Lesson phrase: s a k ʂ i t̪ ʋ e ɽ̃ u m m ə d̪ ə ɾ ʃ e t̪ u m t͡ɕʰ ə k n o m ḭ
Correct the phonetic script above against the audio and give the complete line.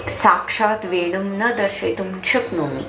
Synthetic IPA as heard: s a k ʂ a t̪ ʋ e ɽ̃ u m n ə d̪ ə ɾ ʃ e t̪ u m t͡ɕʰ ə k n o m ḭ